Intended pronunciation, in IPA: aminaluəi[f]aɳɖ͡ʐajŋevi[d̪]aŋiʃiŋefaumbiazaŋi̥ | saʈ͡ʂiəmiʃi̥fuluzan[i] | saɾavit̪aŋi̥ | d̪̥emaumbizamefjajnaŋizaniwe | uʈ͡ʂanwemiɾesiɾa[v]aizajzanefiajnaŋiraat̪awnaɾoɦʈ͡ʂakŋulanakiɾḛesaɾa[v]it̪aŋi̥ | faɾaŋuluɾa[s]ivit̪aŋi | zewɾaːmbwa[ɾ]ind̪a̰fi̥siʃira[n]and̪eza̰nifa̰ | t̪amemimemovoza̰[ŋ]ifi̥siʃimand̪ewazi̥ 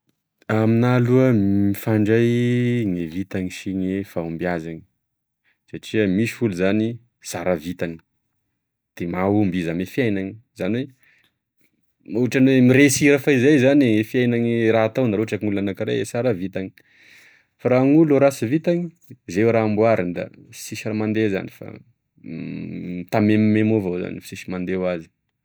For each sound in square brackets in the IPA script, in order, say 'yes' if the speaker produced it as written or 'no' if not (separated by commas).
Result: yes, no, yes, no, yes, yes, yes, no, no